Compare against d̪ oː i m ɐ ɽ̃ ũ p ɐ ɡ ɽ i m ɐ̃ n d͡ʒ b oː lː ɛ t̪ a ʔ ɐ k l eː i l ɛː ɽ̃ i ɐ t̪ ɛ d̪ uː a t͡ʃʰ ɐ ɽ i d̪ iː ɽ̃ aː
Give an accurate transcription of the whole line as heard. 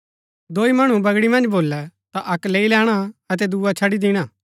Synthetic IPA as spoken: d̪ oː i m ɐ ɽ̃ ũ b ɐ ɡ ɽ i m ɐ̃ n d͡ʒ b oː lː ɛ t̪ a ʔ ɐ k l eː i l ɛː ɽ̃ a ɐ t̪ ɛ d̪ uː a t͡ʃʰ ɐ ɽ i d̪ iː ɽ̃ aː